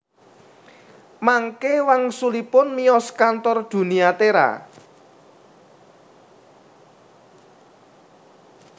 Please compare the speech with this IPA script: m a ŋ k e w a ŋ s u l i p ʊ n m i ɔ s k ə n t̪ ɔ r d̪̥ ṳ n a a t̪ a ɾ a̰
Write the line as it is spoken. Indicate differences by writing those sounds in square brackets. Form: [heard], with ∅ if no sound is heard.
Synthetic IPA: m a ŋ k e w a ŋ s u l i p ʊ n m i ɔ s k [a] n t̪ ɔ r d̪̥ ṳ n [i] a t̪ [e] ɾ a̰